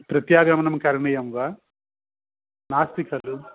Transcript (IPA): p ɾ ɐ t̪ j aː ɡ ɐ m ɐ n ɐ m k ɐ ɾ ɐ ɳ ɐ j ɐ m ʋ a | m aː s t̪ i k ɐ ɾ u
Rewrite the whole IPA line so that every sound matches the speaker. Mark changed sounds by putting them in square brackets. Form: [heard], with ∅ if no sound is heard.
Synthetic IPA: p ɾ ɐ t̪ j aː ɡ ɐ m ɐ n ɐ m k ɐ ɾ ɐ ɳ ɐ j ɐ m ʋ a | [n] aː s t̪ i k ɐ [l] u